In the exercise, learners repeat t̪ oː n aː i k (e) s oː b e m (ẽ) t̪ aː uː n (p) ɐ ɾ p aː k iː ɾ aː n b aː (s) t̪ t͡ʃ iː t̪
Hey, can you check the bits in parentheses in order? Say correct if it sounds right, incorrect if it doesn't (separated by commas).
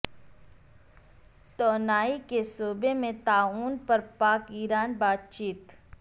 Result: correct, correct, correct, incorrect